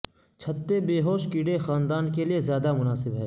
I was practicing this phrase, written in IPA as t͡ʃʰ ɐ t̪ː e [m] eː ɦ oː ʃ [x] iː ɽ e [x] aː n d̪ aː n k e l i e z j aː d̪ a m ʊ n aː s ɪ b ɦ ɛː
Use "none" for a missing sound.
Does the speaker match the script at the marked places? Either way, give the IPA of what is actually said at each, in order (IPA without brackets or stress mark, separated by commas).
b, k, x